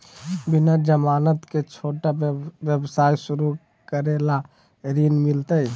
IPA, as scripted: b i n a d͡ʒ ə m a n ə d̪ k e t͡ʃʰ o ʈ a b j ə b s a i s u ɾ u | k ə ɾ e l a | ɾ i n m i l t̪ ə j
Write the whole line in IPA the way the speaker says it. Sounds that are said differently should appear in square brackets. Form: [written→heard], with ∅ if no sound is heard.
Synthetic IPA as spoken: b i n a d͡ʒ ə m a n ə [d̪→t̪] k e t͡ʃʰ o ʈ a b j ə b s a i s u ɾ u | k ə ɾ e l a | ɾ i n m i l t̪ ə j